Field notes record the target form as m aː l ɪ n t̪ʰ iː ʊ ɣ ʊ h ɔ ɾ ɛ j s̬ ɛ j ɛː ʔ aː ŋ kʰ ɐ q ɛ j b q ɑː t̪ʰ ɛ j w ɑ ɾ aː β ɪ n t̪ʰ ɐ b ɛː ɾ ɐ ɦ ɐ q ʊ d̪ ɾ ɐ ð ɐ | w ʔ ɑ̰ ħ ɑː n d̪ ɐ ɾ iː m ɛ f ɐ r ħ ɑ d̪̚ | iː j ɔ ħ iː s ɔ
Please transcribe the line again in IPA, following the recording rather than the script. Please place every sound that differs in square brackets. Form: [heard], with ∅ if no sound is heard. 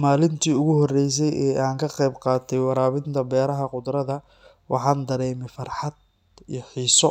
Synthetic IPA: m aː l ɪ n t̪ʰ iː ʊ ɣ ʊ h ɔ [r] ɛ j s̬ ɛ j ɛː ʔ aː ŋ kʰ ɐ q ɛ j b q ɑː t̪ʰ ɛ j w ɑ ɾ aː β ɪ n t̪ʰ ɐ b ɛː ɾ ɐ ɦ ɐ q ʊ d̪ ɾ ɐ ð ɐ | w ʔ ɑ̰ ħ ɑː n d̪ ɐ ɾ [ɛː] m ɛ f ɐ r ħ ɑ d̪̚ | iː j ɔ ħ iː s ɔ